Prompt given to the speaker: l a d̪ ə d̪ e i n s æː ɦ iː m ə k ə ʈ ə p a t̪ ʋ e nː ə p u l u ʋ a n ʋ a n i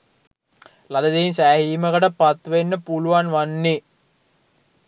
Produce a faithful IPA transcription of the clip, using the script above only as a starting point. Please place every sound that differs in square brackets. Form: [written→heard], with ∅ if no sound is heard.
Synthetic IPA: l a d̪ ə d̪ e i n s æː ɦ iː m ə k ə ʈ ə p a t̪ ʋ e nː ə p u l u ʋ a n ʋ a [n→nː] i